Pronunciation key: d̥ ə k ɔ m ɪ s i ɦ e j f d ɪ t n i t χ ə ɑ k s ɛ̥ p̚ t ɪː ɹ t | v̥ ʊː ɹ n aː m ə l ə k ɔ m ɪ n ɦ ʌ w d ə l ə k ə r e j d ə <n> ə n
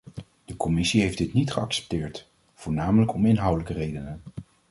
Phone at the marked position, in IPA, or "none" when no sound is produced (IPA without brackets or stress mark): n